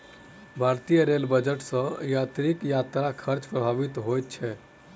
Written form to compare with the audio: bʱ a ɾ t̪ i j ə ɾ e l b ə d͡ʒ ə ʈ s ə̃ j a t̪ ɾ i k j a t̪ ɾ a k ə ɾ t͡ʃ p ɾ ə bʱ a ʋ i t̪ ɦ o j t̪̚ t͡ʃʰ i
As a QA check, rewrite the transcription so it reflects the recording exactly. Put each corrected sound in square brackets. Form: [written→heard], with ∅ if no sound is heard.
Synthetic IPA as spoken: bʱ a ɾ t̪ i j ə ɾ e l b ə d͡ʒ ə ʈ s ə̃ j a t̪ ɾ i k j a t̪ ɾ a [k→kʰ] ə ɾ t͡ʃ p ɾ ə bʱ a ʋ i t̪ ɦ o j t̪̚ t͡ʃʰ [i→ɛ]